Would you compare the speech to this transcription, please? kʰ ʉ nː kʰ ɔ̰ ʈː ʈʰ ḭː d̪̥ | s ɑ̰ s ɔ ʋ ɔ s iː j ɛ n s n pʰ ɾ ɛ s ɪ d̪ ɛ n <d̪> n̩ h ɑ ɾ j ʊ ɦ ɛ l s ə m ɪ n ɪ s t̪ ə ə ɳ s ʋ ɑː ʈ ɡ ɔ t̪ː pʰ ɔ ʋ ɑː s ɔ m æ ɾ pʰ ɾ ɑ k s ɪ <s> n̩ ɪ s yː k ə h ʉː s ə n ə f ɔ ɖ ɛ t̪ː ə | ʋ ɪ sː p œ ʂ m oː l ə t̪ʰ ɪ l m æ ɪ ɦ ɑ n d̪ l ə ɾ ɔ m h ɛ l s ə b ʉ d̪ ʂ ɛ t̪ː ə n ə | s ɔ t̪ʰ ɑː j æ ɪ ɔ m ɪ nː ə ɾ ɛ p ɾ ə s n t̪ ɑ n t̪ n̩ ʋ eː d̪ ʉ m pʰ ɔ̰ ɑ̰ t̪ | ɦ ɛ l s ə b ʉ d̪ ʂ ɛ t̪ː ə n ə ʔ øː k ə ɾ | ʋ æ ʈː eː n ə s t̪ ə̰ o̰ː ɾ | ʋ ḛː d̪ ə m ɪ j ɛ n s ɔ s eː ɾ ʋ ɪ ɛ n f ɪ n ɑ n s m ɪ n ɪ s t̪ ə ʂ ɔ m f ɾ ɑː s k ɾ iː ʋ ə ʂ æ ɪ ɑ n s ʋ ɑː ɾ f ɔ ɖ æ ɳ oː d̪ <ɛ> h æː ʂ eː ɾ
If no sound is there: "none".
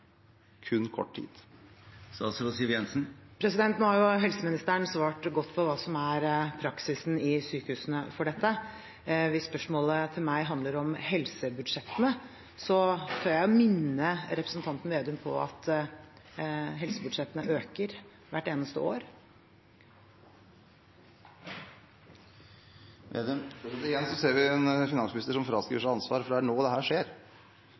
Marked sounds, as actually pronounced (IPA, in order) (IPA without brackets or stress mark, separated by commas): t̪, s, ɛ